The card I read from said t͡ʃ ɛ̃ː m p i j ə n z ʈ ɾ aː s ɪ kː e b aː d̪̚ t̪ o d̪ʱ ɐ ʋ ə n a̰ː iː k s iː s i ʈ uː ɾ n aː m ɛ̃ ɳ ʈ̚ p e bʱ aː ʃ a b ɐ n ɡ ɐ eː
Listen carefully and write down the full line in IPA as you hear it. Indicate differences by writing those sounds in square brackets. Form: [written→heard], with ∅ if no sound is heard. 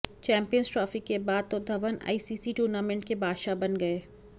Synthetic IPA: t͡ʃ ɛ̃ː m p i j ə n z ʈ ɾ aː [s→f] ɪ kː e b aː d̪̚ t̪ o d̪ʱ ɐ ʋ ə n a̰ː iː [k→∅] s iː s i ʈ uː ɾ n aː m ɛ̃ ɳ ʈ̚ [p→k] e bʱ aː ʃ a b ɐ n ɡ ɐ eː